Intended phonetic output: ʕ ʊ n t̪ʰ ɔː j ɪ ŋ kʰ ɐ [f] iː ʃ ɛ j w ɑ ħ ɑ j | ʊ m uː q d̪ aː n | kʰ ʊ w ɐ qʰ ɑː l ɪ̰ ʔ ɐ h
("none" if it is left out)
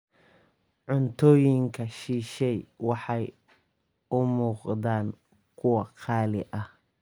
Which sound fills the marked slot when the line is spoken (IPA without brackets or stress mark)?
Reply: ʃ